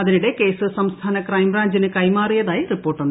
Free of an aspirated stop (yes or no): no